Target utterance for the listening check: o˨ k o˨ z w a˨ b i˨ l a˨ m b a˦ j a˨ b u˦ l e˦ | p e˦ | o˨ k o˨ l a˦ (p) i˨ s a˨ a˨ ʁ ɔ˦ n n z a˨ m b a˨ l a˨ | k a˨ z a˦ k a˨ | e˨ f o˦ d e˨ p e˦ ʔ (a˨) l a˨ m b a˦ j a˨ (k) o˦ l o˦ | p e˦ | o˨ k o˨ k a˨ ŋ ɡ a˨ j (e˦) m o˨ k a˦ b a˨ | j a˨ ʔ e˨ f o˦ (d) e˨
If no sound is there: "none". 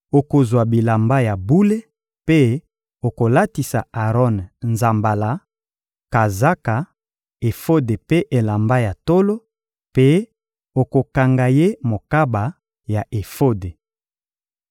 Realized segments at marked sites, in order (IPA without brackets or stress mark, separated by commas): t, e˨, t, e˦, d